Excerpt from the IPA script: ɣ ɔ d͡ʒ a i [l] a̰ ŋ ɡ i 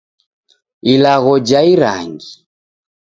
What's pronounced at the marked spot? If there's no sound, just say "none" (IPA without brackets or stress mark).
ɾ